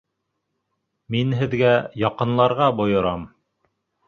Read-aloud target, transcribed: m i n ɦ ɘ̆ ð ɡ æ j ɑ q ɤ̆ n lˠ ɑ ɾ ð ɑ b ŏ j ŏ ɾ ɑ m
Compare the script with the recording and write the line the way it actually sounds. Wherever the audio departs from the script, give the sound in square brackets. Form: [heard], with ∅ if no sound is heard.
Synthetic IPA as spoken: m i n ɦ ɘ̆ ð ɡ æ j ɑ q ɤ̆ n lˠ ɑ ɾ [ʁ] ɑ b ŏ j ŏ ɾ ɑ m